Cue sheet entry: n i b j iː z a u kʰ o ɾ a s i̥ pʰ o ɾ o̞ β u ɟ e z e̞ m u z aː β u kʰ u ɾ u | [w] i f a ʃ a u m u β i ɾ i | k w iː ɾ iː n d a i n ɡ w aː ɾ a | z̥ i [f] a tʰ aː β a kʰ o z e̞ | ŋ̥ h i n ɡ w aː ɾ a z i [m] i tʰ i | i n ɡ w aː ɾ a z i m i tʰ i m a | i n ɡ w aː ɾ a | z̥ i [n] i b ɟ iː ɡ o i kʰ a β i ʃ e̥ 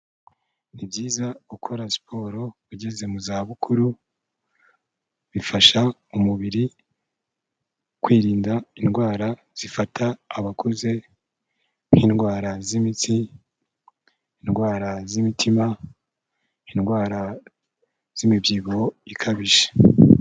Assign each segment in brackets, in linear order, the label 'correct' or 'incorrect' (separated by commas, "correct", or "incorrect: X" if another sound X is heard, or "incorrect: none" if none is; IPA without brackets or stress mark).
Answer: incorrect: β, correct, correct, incorrect: m